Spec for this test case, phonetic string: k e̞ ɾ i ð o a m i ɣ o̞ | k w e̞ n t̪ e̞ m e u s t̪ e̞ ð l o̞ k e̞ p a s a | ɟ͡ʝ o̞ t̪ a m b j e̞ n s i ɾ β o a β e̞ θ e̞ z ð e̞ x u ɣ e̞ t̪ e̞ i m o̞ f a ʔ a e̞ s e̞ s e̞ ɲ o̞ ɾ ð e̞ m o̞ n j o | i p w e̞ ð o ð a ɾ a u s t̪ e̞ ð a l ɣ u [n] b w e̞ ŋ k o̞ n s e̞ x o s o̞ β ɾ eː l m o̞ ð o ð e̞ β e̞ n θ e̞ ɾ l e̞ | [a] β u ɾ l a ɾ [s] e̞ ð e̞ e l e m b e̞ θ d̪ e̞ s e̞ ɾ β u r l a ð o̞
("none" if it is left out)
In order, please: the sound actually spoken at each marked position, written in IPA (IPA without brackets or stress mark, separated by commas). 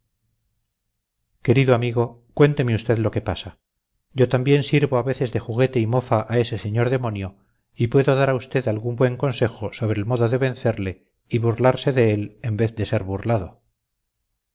m, i, s